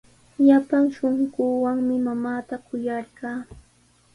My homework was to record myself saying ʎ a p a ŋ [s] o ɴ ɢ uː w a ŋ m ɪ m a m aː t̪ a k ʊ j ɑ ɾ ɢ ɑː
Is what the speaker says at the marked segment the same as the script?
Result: no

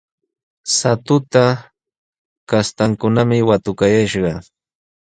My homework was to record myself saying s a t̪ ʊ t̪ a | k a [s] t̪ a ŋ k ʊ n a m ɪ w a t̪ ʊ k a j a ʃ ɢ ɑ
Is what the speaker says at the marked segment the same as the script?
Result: yes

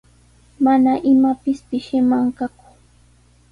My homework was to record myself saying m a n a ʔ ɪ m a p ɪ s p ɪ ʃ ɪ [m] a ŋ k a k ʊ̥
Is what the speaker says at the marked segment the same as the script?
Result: yes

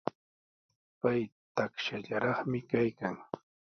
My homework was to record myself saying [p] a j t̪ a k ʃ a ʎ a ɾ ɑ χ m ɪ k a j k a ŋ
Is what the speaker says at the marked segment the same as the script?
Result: yes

